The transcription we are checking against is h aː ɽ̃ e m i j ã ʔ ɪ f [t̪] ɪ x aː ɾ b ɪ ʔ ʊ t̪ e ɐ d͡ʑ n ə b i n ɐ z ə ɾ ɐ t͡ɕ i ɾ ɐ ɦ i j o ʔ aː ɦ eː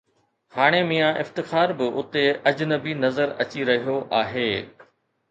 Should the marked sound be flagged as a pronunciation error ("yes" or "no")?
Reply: no